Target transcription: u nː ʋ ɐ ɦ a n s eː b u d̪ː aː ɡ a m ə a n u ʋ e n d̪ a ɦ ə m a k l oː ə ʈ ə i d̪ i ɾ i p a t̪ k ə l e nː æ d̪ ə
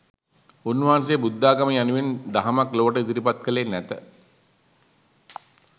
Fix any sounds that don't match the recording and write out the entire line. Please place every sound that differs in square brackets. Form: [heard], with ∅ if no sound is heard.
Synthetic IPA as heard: u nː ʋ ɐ ɦ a n s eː b u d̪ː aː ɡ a m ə a n u ʋ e n d̪ a ɦ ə m a k l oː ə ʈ ə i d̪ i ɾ i p a t̪ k ə l e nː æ [t̪] ə